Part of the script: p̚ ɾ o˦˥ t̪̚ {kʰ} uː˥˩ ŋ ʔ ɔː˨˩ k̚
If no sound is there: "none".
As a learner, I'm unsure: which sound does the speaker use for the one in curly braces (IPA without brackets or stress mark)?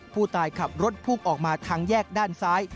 pʰ